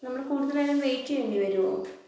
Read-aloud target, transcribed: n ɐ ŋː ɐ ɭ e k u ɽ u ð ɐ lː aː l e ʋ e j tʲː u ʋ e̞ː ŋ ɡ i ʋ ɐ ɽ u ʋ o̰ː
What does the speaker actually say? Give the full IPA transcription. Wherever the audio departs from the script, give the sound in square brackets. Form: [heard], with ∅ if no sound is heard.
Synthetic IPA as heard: n ɐ [mː] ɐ [ɽ] e k [uː] ɽ u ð ɐ [l] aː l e ʋ e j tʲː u ʋ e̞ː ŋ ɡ i ʋ ɐ [ɾ] u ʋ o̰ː

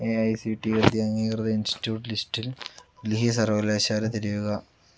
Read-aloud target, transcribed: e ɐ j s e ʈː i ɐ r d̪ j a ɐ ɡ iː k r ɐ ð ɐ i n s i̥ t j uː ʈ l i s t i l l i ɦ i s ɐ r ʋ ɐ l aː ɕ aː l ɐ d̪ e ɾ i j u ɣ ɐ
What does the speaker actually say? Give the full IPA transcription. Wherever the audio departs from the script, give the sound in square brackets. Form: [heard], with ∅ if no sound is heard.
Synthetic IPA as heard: e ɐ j s [i] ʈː i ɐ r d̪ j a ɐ [ŋ] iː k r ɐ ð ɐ i n s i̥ t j uː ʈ l i s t i l l i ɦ i s ɐ r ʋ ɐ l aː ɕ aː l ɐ [t̪] e ɾ i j u ɣ ɐ

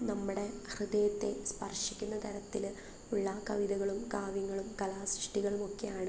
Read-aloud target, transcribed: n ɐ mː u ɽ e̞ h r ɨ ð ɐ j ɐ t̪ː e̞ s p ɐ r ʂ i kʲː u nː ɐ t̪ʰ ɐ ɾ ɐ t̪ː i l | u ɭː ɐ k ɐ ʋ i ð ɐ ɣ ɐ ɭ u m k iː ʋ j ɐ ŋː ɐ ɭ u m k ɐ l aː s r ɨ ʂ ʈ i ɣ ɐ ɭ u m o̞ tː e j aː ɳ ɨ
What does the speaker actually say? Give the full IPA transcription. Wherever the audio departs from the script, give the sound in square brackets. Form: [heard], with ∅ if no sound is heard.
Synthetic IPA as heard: n ɐ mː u ɽ e̞ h r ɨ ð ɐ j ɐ t̪ː e̞ s p ɐ r ʂ i kʲː u nː ɐ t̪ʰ ɐ ɾ ɐ t̪ː i l | u ɭː ɐ k ɐ ʋ i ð ɐ ɣ ɐ ɭ u m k [aː] ʋ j ɐ ŋː ɐ ɭ u m k ɐ l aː s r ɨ ʂ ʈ i ɣ ɐ ɭ u m o̞ [kː] e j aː ɳ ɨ

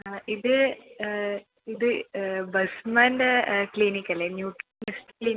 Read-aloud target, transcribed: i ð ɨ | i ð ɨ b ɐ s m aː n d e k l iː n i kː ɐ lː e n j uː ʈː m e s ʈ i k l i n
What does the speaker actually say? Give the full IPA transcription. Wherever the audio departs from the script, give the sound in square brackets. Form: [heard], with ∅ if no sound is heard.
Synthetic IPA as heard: i ð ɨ | i ð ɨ b ɐ s m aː n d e k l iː n i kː ɐ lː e n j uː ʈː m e s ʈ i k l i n

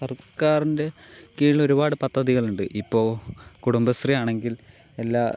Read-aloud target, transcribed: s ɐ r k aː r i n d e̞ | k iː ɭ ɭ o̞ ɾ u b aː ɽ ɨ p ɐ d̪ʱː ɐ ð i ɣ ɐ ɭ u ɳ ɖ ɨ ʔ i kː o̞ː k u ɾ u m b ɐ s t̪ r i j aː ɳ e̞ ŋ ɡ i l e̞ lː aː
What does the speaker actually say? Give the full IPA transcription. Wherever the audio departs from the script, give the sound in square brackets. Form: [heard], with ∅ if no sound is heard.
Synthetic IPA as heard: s ɐ r k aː r i n d e̞ | k iː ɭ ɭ o̞ ɾ u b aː ɽ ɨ p ɐ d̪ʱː ɐ ð i ɣ ɐ ɭ u ɳ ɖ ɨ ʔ i [pː] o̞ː k u [ɽ] u m b ɐ s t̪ r i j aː ɳ e̞ ŋ ɡ i l e̞ lː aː

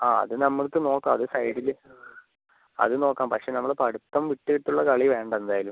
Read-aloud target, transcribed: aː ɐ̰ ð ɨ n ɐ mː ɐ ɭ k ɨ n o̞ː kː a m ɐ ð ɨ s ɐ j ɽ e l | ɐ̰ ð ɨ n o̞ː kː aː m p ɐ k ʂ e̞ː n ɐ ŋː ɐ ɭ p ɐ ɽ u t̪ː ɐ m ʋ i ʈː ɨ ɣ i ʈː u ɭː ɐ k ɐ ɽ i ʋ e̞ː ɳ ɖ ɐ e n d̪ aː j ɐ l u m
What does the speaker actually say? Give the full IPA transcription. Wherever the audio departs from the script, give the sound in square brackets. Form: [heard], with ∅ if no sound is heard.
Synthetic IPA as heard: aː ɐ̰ ð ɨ n ɐ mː ɐ ɭ k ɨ n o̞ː kː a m ɐ ð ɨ s ɐ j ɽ [i] l | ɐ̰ ð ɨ n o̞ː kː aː m p ɐ k ʂ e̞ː n ɐ [mː] ɐ ɭ p ɐ ɽ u t̪ː ɐ m ʋ i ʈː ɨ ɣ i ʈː u ɭː ɐ k ɐ [ɭ] i ʋ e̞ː ɳ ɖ ɐ e n d̪ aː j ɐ l u m

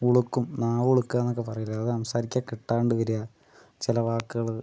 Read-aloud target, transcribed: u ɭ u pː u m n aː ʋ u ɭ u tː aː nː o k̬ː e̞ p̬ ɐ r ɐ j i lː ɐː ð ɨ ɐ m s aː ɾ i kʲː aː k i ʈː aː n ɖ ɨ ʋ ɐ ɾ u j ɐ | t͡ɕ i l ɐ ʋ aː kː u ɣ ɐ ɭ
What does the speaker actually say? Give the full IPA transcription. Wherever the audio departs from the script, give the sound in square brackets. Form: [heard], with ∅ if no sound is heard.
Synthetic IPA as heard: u ɭ u [kː] u m n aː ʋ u ɭ u [kː] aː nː o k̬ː e̞ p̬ ɐ r ɐ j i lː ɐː ð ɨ ɐ m s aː ɾ i kʲː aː k i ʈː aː [ɳ] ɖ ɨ ʋ ɐ ɾ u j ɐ | t͡ɕ i l ɐ ʋ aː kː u ɣ ɐ ɭ

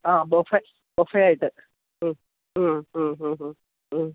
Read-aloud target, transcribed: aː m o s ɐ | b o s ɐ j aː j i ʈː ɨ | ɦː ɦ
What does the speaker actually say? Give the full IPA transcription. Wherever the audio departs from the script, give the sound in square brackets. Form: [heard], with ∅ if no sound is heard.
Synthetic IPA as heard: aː [b] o [f] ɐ | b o [f] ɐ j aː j i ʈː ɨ | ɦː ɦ

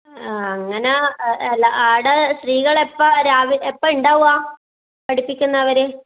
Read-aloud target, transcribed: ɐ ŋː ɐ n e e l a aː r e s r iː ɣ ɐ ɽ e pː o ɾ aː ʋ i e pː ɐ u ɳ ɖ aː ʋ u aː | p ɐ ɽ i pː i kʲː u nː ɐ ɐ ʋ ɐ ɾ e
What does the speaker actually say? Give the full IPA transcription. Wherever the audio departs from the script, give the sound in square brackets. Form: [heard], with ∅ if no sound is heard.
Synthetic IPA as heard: ɐ ŋː ɐ n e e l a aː [ɽ] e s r iː ɣ ɐ [ɭ] e pː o ɾ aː ʋ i e pː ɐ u ɳ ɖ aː ʋ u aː | p ɐ ɽ i pː i kʲː u nː ɐ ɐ ʋ ɐ ɾ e

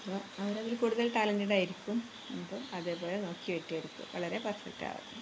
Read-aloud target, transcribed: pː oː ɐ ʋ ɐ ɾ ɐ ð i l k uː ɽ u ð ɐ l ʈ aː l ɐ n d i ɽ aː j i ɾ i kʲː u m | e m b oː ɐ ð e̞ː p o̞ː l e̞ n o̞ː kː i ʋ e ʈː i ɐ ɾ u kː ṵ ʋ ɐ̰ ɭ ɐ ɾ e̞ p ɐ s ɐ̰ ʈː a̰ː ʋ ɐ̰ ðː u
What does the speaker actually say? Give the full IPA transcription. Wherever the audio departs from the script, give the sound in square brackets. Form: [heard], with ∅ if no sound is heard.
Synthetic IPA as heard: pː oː ɐ ʋ ɐ ɾ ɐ ð i l k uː ɽ u ð ɐ l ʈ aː l ɐ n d i ɽ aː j i ɾ i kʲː u m | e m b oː ɐ ð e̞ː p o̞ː l e̞ n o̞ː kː i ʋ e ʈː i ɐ ɾ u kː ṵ ʋ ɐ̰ ɭ ɐ ɾ e̞ p ɐ s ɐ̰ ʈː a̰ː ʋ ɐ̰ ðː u

